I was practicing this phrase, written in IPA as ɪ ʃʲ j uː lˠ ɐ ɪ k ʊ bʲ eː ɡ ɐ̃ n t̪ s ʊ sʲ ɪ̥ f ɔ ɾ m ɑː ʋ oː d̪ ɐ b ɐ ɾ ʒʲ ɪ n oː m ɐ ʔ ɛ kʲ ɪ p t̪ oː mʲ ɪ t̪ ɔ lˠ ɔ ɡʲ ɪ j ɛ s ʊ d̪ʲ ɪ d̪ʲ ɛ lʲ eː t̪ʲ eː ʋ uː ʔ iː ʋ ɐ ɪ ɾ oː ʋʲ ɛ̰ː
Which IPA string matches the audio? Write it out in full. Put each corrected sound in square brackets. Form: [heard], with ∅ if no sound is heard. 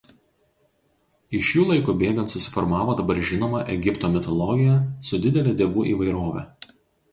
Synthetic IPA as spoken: ɪ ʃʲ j uː lˠ ɐ ɪ k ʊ bʲ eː ɡ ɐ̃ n t̪ s ʊ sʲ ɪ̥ f ɔ ɾ m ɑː ʋ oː d̪ ɐ b ɐ ɾ ʒʲ ɪ n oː m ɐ ʔ ɛ [ɡʲ] ɪ p t̪ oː mʲ ɪ t̪ ɔ lˠ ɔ ɡʲ ɪ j ɛ s ʊ d̪ʲ ɪ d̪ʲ ɛ lʲ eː [d̪ʲ] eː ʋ uː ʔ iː ʋ ɐ ɪ ɾ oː ʋʲ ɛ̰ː